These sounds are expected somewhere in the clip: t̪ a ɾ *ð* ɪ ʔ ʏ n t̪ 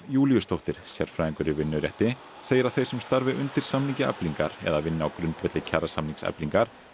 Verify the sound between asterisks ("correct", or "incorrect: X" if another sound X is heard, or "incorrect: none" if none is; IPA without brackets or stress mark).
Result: incorrect: v